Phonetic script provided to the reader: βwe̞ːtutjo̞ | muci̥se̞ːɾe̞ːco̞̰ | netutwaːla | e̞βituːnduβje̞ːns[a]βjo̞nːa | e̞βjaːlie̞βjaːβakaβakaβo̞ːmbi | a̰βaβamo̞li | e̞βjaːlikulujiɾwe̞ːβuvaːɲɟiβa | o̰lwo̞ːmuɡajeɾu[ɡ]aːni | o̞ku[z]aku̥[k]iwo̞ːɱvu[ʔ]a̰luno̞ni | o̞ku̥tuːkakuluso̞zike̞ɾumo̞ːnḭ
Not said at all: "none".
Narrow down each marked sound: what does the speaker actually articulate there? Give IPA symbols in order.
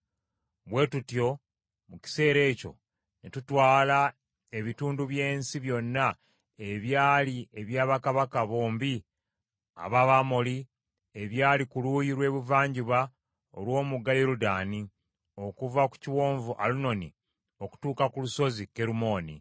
i, d, v, c, ʔ

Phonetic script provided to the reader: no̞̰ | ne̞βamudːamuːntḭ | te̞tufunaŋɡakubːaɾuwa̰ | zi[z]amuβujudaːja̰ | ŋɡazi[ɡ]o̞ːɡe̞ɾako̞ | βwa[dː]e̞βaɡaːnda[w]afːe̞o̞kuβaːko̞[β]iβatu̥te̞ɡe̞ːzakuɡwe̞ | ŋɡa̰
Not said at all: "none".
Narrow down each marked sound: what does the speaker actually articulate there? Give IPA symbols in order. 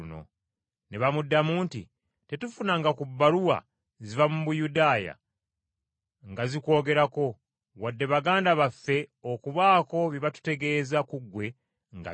v, k, dː, β, β

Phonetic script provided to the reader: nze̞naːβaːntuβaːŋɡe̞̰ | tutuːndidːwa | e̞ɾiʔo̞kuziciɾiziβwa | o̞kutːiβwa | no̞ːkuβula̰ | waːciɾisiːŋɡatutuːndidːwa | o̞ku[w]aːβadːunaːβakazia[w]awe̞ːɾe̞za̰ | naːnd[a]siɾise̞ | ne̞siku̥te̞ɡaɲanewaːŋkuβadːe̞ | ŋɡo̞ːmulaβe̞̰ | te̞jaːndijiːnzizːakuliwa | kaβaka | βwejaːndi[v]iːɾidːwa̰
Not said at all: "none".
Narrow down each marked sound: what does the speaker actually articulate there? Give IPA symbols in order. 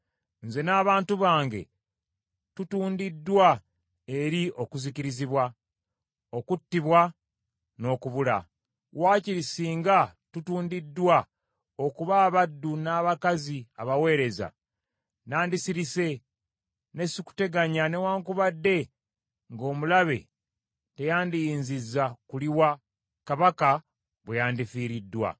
β, β, i, f

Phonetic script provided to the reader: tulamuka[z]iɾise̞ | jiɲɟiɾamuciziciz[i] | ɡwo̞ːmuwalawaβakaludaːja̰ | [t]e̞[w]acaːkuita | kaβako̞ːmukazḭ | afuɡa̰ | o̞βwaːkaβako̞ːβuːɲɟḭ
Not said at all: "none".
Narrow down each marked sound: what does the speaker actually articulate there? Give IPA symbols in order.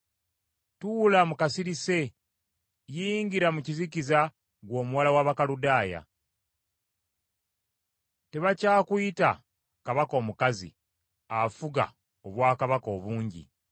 s, a, t, β

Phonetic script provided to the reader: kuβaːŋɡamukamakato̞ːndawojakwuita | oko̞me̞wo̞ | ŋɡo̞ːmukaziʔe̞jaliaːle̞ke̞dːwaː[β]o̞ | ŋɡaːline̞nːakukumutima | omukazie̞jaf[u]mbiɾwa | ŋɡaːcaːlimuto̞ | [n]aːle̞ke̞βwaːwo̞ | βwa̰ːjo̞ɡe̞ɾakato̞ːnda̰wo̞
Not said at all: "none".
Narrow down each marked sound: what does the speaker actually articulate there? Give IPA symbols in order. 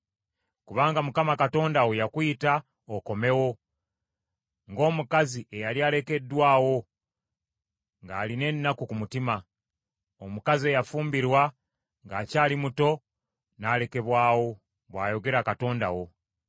w, uː, n

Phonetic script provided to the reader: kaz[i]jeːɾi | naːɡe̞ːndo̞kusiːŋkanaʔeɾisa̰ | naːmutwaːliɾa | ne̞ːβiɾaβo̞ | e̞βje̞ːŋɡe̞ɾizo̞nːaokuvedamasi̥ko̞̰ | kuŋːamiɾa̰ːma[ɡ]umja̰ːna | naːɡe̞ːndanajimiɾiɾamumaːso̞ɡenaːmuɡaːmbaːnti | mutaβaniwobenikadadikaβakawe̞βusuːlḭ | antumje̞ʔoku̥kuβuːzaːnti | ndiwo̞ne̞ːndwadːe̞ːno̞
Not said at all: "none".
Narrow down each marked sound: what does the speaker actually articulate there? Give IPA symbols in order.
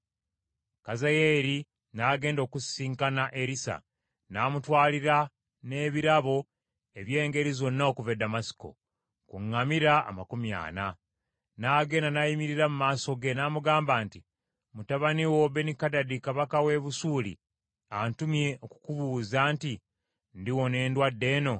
a, k

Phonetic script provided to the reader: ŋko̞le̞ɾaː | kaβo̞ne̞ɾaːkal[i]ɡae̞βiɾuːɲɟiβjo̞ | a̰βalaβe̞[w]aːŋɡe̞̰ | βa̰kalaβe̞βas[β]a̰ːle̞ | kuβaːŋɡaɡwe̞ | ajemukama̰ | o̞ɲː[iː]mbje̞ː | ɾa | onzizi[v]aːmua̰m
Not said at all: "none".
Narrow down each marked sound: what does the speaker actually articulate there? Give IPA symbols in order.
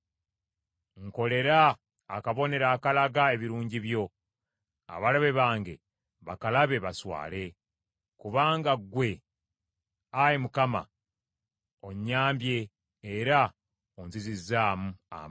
a, β, w, aː, z

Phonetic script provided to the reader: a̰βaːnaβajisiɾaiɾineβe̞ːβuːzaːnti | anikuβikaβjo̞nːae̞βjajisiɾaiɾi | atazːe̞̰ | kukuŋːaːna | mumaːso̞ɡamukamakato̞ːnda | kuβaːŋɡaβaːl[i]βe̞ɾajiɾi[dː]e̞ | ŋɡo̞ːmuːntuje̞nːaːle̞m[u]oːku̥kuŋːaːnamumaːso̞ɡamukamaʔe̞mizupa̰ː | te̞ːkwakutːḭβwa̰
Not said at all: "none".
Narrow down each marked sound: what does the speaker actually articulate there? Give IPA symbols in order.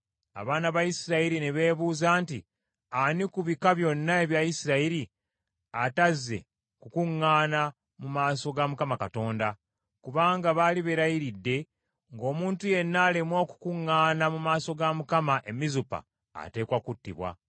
i, dː, w

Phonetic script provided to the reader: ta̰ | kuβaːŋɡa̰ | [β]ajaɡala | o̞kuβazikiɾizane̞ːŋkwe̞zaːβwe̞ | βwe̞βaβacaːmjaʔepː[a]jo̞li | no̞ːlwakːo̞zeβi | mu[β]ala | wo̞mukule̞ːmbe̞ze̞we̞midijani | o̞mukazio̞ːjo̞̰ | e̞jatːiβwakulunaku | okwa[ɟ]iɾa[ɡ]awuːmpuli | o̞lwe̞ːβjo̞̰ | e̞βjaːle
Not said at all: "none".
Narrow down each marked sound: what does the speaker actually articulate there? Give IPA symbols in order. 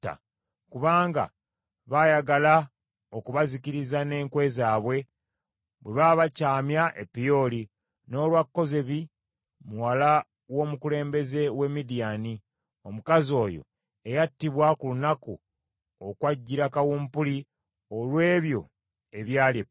β, i, w, ɟː, k

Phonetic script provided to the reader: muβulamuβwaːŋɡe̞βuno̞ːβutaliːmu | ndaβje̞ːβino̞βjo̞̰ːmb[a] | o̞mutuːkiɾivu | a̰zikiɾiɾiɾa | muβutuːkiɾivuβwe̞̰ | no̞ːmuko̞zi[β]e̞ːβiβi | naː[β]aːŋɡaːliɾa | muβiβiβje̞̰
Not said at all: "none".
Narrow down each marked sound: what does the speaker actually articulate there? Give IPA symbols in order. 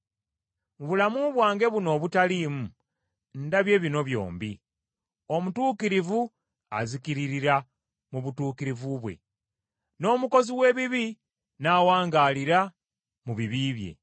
i, w, w

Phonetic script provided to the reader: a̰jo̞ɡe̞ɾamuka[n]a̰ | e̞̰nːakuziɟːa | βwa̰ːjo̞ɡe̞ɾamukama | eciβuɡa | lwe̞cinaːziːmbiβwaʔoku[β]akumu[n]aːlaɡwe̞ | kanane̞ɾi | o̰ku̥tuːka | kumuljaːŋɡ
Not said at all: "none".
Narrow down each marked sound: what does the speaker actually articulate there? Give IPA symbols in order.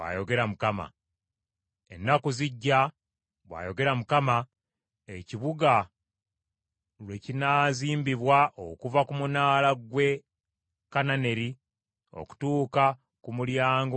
m, v, n

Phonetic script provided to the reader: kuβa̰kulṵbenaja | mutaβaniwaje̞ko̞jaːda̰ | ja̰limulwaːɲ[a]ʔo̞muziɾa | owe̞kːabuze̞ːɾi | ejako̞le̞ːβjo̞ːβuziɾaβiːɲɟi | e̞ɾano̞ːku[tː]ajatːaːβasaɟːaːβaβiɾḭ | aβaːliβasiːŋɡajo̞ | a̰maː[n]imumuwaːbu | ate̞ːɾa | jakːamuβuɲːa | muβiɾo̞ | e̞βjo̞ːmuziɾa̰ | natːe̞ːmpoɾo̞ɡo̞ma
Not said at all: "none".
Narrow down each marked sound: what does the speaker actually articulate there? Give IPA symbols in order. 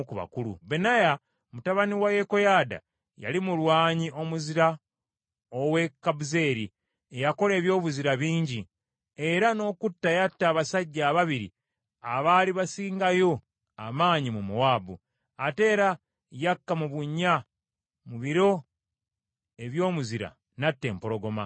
i, tː, ɲ

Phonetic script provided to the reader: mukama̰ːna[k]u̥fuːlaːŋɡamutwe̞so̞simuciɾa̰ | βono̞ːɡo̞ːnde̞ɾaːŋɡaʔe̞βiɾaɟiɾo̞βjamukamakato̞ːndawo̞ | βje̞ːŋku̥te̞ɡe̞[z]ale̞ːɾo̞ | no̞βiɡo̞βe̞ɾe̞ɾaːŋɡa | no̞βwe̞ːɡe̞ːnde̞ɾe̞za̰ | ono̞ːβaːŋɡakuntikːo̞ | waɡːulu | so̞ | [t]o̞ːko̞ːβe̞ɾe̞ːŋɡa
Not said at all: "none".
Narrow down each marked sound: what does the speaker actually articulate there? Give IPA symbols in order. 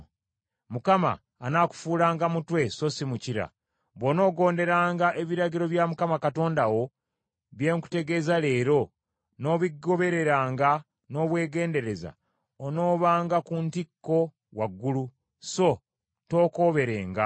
k, z, t

